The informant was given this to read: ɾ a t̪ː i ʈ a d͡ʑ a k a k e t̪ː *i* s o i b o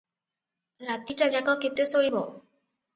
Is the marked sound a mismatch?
yes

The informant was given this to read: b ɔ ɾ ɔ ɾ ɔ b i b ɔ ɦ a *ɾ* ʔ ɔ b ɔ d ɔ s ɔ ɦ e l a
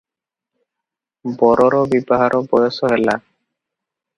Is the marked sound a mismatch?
no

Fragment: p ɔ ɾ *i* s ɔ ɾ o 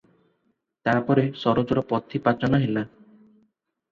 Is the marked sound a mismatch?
yes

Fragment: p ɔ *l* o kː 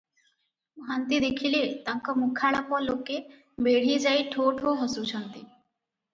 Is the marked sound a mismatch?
no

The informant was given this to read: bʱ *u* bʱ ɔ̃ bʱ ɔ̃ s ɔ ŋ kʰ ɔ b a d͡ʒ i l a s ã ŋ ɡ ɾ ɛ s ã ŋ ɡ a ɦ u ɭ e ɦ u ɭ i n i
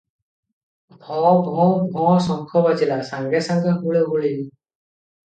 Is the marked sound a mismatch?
yes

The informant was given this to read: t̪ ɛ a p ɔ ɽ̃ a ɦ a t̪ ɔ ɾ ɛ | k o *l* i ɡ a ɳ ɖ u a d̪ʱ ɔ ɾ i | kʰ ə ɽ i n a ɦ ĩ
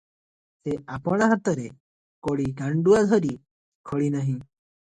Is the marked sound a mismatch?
yes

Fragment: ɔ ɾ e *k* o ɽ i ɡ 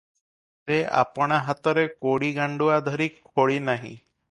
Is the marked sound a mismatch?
no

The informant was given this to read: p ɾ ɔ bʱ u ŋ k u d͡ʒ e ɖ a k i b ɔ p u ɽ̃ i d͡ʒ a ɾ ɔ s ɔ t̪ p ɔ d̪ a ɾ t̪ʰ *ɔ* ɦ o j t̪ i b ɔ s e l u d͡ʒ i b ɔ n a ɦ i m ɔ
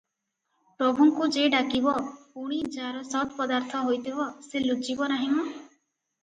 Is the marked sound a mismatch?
no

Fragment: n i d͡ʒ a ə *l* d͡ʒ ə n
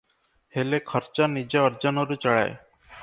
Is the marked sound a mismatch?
yes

